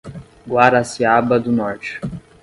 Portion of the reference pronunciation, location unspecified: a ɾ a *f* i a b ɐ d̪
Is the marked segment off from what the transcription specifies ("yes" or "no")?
yes